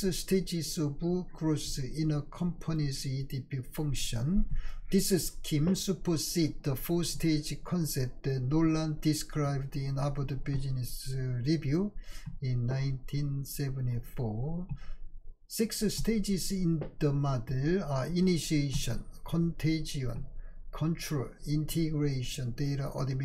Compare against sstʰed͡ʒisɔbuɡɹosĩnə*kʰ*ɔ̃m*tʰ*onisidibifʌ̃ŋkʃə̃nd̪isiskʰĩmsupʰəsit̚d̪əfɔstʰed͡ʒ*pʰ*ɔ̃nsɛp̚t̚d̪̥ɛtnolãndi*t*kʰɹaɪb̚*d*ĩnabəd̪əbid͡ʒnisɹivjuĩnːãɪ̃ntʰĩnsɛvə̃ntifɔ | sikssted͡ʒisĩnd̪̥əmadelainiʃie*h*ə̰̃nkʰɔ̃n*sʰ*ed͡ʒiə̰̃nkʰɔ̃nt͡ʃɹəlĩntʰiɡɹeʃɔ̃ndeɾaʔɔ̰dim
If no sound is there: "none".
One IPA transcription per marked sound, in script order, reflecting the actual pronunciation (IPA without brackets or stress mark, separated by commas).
kʰ, pʰ, kʰ, s, d, ʃ, tʰ